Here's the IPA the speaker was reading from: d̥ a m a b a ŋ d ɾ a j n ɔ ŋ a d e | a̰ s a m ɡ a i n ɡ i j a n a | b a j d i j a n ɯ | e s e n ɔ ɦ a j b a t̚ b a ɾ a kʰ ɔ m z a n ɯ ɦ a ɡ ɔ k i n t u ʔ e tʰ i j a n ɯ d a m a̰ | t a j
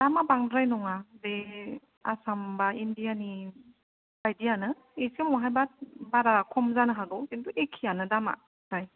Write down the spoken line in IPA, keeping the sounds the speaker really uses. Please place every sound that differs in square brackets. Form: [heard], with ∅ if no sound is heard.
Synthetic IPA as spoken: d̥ a m a b a ŋ d ɾ a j n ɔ ŋ a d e | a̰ s a m [b] a i n [d] i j a n [i] | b a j d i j a n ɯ | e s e [m] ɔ ɦ a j b a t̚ b a ɾ a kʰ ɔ m z a n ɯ ɦ a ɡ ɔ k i n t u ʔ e [kʰ] i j a n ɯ d a m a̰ | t a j